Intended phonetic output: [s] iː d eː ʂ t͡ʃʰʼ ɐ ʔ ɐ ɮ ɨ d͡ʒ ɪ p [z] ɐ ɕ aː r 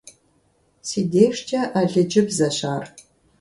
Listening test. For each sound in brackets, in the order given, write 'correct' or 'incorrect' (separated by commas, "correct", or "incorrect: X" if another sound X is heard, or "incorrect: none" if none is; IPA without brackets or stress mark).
correct, correct